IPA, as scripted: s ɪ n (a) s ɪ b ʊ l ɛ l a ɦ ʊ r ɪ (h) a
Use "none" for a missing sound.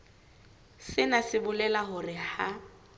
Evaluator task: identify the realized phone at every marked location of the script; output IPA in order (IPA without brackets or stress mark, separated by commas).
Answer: a, h